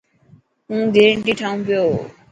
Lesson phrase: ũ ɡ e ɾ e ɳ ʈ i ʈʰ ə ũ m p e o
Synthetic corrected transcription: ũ ɡ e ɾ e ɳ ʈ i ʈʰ a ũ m p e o

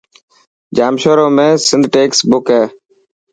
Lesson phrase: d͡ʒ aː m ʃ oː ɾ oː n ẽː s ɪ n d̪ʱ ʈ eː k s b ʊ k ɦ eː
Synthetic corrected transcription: d͡ʒ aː m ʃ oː ɾ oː m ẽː s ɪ n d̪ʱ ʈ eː k s b ʊ k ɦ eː

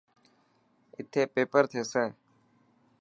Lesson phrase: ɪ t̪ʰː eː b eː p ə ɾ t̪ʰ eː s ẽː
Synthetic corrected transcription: ɪ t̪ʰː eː p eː p ə ɾ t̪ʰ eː s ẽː

